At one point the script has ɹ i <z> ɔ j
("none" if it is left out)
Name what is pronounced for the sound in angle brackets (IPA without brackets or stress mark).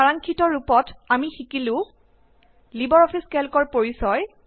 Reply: s